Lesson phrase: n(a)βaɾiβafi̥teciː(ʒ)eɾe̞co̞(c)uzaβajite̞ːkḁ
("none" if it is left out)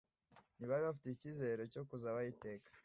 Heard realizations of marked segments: i, z, k

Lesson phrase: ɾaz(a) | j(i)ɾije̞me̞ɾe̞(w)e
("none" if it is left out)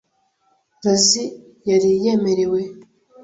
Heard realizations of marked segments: i, a, w

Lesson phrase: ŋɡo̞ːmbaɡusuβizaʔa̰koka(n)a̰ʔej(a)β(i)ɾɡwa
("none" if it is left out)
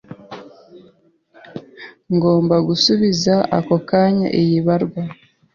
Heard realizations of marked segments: ɲ, i, a

